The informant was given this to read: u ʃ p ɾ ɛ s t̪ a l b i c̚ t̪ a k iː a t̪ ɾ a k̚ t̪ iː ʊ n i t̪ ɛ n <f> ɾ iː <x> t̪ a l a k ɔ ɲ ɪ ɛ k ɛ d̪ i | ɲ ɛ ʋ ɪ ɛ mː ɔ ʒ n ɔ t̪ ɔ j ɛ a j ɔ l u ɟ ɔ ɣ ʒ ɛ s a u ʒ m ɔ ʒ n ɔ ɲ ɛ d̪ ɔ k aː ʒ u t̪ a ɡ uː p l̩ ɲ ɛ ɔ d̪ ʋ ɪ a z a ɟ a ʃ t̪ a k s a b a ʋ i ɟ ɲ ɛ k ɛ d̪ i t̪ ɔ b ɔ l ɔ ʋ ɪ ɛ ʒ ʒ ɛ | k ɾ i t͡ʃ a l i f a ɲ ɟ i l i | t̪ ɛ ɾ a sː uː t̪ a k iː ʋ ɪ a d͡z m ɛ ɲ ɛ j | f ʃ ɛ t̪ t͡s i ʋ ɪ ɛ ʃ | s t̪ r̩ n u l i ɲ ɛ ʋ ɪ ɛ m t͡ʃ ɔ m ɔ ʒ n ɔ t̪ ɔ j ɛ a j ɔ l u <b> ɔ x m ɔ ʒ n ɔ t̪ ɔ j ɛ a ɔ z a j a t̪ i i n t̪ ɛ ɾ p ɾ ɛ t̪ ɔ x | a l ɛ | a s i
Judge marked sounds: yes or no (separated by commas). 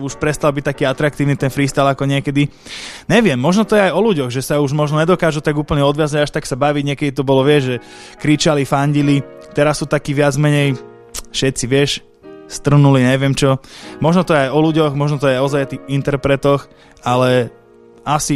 yes, no, no